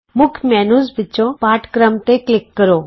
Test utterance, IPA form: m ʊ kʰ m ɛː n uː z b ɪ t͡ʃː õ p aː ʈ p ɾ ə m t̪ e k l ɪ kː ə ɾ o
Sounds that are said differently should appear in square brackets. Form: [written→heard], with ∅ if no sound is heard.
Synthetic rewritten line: m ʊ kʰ m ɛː n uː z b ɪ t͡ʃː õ p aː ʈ [p→k] ɾ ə m t̪ e k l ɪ kː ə ɾ o